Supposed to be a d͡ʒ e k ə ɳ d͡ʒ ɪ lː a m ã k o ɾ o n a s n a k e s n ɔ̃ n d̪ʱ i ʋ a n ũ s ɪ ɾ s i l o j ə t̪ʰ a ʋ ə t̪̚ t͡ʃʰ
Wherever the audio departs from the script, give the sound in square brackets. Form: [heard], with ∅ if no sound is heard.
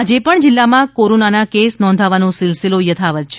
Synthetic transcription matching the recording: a d͡ʒ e [p] ə ɳ d͡ʒ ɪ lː a m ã k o ɾ o n a [∅] n a k e s n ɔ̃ n d̪ʱ [a] ʋ a n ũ s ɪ [l] s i l o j ə t̪ʰ a ʋ ə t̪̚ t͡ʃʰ